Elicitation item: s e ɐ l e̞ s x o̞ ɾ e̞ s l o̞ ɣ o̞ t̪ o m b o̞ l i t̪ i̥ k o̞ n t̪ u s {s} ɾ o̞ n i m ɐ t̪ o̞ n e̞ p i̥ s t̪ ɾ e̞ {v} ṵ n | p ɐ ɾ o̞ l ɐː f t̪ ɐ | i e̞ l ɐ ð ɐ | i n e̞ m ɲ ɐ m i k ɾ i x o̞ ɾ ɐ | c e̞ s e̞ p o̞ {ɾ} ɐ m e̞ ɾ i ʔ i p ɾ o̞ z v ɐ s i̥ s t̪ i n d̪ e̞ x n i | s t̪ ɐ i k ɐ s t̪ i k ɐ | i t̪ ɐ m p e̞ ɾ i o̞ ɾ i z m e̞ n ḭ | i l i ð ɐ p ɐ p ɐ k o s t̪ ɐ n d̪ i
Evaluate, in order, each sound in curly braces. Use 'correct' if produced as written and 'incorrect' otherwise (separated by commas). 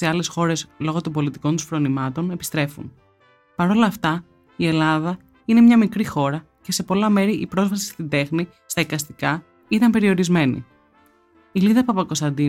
incorrect, incorrect, incorrect